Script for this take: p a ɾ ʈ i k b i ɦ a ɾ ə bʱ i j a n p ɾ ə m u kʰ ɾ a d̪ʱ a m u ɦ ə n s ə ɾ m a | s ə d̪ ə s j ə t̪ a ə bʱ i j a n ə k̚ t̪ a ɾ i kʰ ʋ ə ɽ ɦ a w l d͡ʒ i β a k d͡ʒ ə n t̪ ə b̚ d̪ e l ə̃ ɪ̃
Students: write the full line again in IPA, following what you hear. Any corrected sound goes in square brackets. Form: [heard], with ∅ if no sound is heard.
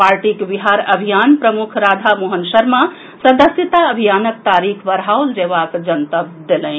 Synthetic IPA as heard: p a ɾ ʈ i k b i ɦ a ɾ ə bʱ i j a n p ɾ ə m u kʰ ɾ a d̪ʱ a m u ɦ ə n s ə ɾ m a | s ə d̪ ə s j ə t̪ a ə bʱ i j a n ə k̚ t̪ a ɾ i kʰ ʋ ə [ɾ] ɦ a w l d͡ʒ [e] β a k d͡ʒ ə n t̪ ə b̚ d̪ e l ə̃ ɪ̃